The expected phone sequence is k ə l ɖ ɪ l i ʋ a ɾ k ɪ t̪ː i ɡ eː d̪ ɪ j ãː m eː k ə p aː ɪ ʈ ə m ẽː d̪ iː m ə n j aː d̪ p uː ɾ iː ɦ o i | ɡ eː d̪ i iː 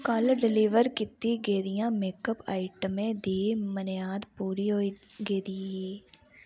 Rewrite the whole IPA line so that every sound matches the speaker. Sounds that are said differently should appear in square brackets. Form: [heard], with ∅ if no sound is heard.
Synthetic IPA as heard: k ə l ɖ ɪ l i ʋ [ə] ɾ k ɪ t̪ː i ɡ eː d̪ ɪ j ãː m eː k ə p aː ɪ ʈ ə m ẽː d̪ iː m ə n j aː d̪ p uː ɾ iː ɦ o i | ɡ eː d̪ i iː